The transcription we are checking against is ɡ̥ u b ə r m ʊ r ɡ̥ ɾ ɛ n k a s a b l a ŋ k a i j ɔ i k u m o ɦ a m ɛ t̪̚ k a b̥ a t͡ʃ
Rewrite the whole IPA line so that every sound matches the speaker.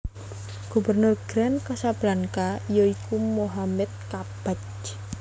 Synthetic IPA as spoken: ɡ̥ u b ə r n ʊ r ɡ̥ ɾ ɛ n k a s a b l a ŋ k a i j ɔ i k u m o ɦ a m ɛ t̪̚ k a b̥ a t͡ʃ